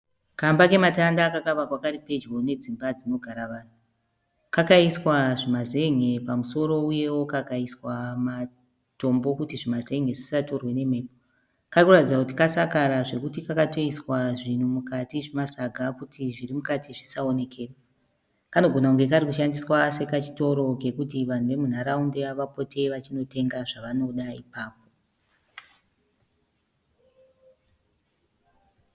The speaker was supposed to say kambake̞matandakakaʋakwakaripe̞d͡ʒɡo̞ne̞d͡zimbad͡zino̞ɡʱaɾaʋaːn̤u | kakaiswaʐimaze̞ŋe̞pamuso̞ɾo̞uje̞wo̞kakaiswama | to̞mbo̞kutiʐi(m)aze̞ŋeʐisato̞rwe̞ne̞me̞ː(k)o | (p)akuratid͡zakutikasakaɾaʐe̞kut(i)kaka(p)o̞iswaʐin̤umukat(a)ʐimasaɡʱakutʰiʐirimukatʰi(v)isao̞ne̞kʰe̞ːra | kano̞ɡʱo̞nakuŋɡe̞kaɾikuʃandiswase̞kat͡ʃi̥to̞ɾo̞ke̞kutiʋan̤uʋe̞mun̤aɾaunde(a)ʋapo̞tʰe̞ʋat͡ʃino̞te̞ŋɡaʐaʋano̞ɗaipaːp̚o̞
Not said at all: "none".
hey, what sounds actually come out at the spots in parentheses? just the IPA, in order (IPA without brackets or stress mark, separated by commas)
m, p, k, i, t, i, ʐ, a